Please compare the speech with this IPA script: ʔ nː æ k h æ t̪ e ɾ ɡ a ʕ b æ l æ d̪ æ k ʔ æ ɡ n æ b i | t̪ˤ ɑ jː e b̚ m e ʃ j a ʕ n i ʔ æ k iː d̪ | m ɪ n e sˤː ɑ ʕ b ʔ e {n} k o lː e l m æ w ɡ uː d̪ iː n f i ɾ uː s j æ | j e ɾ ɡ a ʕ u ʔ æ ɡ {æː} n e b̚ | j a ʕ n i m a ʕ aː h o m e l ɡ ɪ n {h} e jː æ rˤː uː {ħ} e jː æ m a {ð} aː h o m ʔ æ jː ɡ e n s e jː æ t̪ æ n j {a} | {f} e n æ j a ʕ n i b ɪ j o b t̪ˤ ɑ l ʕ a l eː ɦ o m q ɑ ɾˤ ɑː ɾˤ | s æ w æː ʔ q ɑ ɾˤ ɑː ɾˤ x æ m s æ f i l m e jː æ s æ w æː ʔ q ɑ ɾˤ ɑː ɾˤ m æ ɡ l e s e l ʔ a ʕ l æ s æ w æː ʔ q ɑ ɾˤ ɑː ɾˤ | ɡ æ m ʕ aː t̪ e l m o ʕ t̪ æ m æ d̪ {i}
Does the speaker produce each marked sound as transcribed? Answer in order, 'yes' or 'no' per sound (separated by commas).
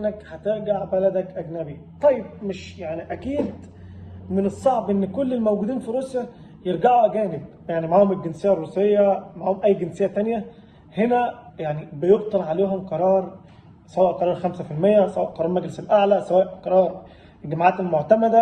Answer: no, yes, no, no, no, no, no, no